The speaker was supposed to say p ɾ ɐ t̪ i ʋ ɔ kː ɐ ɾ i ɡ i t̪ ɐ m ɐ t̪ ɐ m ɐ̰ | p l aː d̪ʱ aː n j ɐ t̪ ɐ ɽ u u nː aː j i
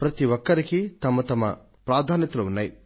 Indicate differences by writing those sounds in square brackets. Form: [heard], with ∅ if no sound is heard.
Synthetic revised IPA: p ɾ ɐ t̪ i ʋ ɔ kː ɐ ɾ i [k] i t̪ ɐ m ɐ t̪ ɐ m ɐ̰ | p [ɾ] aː d̪ʱ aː n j ɐ t̪ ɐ [l] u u nː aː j i